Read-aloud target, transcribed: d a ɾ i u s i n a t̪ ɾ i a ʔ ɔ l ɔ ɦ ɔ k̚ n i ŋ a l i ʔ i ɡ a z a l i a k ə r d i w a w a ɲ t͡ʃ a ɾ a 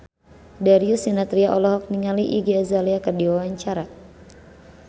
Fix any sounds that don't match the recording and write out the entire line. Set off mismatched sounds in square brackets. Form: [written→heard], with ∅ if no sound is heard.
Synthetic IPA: d a ɾ i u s i n a t̪ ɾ i a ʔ ɔ l ɔ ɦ ɔ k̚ n i ŋ a l i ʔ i ɡ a z a l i a k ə r d i w a w a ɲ t͡ʃ a ɾ a